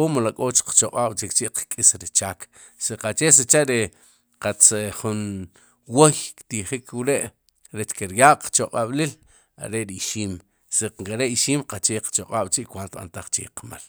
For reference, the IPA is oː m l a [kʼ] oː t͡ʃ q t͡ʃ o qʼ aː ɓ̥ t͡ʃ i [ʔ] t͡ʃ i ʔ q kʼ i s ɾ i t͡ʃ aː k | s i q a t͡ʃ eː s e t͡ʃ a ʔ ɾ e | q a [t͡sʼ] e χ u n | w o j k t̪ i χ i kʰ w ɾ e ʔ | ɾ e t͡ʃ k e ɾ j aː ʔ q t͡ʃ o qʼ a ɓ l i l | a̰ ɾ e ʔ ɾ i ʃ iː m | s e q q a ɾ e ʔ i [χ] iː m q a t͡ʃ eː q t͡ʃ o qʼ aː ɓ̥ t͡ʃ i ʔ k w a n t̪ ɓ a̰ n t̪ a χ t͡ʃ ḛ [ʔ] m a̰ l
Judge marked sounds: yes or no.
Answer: yes, no, no, no, no

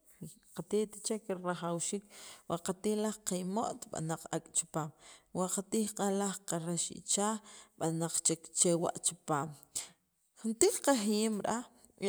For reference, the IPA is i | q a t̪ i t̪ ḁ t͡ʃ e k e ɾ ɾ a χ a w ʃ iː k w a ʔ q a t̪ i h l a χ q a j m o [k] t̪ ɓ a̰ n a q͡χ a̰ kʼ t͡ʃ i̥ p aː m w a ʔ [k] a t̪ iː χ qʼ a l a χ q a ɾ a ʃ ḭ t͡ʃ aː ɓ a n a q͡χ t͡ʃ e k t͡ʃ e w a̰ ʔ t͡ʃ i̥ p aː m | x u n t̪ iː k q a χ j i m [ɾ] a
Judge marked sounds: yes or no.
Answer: no, no, yes

